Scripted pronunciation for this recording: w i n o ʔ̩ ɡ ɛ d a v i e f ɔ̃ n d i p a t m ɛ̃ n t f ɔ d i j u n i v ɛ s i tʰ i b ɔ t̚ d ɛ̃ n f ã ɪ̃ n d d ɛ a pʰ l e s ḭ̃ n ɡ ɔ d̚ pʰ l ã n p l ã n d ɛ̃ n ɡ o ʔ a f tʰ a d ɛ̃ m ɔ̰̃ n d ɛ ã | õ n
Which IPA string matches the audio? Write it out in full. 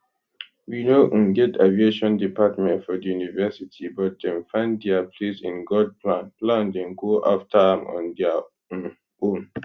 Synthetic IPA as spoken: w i n o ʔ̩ ɡ ɛ t a v i e ʃ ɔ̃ n d i p a t m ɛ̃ n t f ɔ d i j u n i v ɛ s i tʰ i b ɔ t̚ d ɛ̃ n f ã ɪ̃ n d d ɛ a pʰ l e s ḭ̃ n ɡ ɔ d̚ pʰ l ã n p l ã n d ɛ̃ n ɡ o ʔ a f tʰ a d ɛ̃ m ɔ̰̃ n d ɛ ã | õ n